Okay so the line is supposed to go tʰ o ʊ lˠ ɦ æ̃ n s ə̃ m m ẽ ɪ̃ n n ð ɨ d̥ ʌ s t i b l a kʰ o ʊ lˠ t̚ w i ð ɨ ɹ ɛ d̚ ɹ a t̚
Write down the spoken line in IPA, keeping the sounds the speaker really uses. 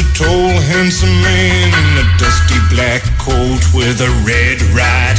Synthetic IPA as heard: tʰ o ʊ lˠ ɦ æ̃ n s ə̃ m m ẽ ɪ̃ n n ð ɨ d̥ ʌ s t i b l æ kʰ o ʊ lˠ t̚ w ɪ ð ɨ ɹ ɛ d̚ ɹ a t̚